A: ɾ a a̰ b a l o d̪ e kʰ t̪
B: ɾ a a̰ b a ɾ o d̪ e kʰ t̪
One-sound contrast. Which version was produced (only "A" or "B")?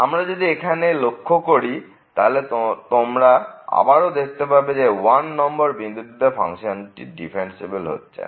B